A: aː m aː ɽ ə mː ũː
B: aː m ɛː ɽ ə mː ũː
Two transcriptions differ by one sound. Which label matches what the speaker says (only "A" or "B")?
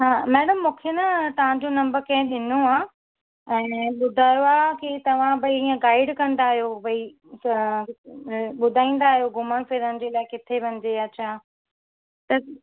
B